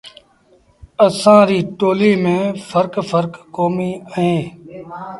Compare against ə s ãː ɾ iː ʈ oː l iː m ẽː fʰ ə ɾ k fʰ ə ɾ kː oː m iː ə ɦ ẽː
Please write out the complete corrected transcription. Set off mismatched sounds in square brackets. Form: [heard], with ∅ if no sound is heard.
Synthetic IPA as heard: ə s ãː ɾ iː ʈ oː l iː m ẽː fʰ ə ɾ k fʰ ə ɾ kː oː m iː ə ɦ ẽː